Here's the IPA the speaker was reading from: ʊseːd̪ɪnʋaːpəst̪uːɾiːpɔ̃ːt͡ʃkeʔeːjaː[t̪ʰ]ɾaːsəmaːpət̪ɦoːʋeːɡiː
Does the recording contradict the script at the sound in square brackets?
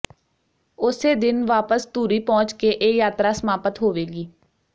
yes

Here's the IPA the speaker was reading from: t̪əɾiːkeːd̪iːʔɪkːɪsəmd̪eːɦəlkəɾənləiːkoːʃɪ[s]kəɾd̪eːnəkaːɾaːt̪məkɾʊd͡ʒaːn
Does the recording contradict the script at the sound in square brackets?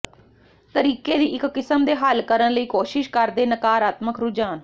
yes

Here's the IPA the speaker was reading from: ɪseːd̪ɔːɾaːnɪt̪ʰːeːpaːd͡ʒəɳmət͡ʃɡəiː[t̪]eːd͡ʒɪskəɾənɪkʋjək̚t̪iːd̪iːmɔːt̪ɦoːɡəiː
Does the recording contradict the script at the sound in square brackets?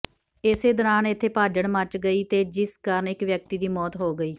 no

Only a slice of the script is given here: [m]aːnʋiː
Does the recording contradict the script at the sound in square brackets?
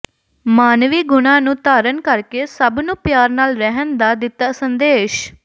no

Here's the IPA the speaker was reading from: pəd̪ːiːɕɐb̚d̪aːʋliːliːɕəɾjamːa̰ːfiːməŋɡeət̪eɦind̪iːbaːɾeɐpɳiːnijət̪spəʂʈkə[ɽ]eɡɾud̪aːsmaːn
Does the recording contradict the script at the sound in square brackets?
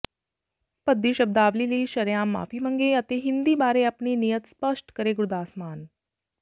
yes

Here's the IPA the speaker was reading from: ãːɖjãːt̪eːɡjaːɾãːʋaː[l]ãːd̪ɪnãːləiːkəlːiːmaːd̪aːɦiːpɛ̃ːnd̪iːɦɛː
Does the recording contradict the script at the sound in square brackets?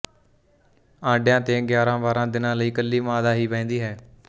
yes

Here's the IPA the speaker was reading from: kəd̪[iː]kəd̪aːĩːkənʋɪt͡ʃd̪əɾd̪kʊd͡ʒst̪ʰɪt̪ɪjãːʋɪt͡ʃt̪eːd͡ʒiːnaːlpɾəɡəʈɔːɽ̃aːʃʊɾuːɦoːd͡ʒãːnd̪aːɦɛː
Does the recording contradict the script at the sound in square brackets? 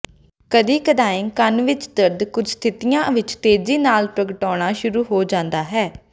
no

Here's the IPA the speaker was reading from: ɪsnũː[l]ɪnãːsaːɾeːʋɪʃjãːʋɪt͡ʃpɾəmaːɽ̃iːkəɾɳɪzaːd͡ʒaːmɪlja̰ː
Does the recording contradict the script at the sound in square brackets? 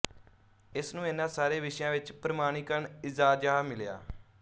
yes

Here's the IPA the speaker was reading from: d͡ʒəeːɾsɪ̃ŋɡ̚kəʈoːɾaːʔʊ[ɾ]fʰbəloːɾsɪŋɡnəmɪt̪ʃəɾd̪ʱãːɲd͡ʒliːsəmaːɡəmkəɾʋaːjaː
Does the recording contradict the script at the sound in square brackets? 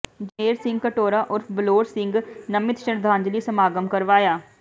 no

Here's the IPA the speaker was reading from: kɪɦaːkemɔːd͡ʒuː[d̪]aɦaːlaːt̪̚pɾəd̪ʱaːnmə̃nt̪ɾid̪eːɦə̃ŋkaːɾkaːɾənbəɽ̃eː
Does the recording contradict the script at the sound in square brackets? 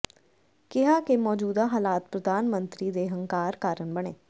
no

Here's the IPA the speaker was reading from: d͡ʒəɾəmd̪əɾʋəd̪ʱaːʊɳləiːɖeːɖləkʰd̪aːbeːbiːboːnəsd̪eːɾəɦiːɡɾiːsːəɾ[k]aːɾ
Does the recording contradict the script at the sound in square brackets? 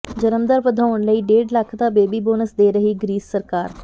no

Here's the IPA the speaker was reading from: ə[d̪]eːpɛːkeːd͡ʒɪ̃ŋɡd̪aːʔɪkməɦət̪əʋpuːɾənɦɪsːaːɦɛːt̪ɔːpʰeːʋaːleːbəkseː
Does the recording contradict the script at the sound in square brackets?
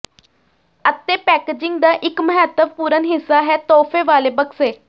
yes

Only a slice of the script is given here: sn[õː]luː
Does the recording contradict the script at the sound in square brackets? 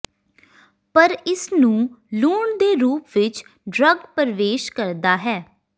yes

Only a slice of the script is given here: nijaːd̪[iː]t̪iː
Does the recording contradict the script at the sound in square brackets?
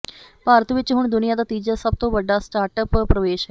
yes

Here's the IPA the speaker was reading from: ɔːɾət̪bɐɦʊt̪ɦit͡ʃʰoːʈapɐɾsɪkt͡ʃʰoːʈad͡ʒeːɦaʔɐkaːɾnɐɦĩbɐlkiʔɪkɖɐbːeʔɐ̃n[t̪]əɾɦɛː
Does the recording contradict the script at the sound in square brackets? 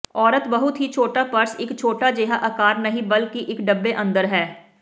yes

